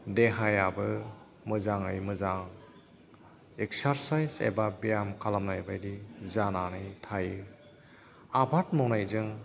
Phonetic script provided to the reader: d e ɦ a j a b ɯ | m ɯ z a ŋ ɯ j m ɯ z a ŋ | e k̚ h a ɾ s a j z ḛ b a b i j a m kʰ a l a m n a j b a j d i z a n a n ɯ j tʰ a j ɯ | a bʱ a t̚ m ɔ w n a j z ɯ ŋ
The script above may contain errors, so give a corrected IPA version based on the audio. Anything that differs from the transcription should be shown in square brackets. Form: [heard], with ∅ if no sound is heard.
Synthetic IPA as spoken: d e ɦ a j a b ɯ | m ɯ z a ŋ ɯ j m ɯ z a ŋ | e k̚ [s] a ɾ s a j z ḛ b a b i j a m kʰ a l a m n a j b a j d i z a n a n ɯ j tʰ a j ɯ | a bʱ a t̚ m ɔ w n a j z ɯ ŋ